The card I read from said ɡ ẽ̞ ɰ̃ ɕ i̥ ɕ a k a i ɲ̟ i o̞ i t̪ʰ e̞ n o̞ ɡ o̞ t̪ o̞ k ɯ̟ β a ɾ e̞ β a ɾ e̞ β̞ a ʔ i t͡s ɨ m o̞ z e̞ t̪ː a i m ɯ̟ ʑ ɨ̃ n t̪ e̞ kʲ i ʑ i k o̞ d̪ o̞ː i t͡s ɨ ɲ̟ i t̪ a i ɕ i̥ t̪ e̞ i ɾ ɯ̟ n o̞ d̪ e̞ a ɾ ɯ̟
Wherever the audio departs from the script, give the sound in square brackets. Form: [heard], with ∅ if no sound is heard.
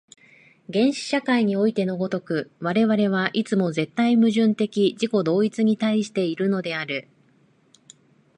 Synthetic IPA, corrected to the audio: ɡ ẽ̞ ɰ̃ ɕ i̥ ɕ a k a i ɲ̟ i o̞ i [t̪] e̞ n o̞ ɡ o̞ t̪ o̞ k ɯ̟ β a ɾ e̞ β a ɾ e̞ β̞ a ʔ i t͡s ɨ m o̞ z e̞ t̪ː a i m ɯ̟ ʑ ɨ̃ n t̪ e̞ kʲ i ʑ i k o̞ d̪ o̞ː i t͡s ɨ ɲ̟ i t̪ a i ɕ i̥ t̪ e̞ i ɾ ɯ̟ n o̞ d̪ e̞ a ɾ ɯ̟